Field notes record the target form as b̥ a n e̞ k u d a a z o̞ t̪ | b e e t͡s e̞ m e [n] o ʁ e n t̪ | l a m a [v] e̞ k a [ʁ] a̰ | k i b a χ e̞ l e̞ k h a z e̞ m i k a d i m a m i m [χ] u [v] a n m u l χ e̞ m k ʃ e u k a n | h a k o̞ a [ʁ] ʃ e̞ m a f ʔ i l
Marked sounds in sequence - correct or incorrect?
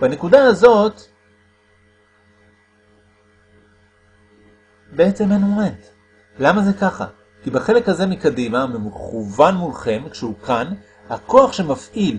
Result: correct, incorrect: z, incorrect: χ, correct, correct, incorrect: χ

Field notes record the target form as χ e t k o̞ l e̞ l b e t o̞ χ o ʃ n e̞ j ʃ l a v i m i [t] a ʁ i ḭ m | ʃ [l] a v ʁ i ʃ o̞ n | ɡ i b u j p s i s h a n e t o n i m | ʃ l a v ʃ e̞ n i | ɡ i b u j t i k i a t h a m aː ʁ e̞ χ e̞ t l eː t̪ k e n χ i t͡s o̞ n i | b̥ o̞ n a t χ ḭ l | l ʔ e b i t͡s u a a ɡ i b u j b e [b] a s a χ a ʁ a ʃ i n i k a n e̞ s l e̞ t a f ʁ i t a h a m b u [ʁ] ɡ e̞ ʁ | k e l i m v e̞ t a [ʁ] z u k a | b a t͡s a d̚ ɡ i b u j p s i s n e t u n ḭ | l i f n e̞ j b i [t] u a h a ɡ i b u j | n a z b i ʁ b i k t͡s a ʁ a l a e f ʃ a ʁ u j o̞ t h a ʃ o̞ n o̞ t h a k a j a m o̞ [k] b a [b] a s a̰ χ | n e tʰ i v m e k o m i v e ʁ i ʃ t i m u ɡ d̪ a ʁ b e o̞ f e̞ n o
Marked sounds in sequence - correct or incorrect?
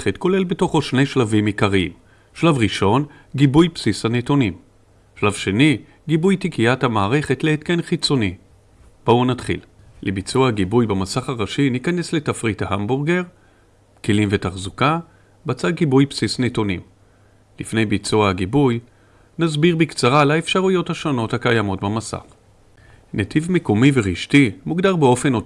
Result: incorrect: k, correct, incorrect: m, correct, incorrect: χ, incorrect: t͡s, incorrect: t, incorrect: m

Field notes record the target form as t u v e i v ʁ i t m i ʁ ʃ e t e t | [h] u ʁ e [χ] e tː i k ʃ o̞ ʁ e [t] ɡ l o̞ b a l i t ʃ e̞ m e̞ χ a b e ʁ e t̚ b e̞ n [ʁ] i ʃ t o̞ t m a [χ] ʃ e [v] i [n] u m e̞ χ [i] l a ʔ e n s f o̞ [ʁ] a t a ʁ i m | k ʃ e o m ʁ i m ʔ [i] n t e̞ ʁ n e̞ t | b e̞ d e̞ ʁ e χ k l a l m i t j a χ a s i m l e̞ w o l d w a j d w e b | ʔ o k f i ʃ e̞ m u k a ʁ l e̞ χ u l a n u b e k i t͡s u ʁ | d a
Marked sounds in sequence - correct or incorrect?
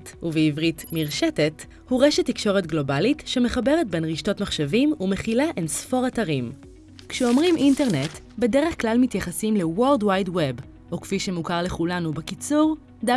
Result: correct, incorrect: ʃ, correct, correct, correct, correct, incorrect: m, correct, correct, correct

